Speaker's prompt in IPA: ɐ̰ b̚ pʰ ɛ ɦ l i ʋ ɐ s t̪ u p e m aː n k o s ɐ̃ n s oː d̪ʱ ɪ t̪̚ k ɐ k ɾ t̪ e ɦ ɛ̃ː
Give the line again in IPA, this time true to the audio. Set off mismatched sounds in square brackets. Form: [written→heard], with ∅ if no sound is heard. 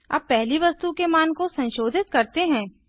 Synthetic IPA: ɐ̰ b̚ [pʰ→p] ɛ ɦ l i ʋ ɐ s t̪ u [p→k] e m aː n k o s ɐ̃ n [s→ʃ] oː d̪ʱ ɪ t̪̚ k ɐ [k→∅] ɾ t̪ e ɦ ɛ̃ː